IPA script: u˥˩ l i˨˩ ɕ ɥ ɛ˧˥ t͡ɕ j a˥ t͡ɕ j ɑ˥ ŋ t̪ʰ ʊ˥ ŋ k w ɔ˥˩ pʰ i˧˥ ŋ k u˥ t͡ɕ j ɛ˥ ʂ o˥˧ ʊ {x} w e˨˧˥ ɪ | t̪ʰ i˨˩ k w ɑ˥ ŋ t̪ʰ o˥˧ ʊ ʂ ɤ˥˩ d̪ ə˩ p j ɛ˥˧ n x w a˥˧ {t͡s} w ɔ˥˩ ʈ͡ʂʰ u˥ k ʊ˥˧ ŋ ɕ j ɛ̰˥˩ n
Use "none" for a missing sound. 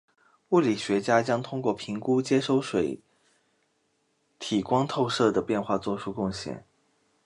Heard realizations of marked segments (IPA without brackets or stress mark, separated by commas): ʂ, t͡s